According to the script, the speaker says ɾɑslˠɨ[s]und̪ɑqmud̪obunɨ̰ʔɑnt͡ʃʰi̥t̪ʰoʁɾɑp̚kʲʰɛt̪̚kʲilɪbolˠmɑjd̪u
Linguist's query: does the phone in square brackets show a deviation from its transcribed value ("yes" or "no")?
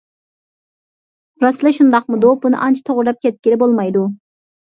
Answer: yes